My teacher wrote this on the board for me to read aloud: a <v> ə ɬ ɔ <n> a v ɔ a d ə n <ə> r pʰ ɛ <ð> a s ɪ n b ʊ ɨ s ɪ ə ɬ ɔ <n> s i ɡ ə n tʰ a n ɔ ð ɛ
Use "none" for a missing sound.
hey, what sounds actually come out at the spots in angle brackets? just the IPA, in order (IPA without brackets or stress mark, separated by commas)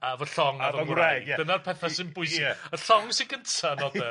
v, ŋ, a, θ, ŋ